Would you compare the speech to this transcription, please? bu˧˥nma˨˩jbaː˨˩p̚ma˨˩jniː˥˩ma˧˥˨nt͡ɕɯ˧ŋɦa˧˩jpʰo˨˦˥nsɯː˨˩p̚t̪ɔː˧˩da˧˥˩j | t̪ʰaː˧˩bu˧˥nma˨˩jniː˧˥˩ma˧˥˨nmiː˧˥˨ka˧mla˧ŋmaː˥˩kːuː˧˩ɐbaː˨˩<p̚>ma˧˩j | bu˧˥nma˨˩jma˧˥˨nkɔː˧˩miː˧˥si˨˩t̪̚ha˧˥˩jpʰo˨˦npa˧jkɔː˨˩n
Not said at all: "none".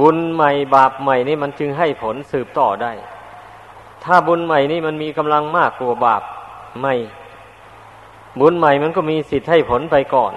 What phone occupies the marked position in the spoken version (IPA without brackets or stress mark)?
p̚